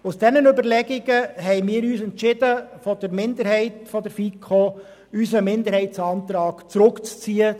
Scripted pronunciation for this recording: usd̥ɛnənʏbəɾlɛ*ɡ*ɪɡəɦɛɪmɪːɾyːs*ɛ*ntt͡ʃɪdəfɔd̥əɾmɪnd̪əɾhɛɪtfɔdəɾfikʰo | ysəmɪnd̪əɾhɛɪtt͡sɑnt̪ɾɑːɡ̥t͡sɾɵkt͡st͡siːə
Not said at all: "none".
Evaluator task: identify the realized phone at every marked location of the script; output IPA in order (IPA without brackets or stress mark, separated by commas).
ɡ, ɛ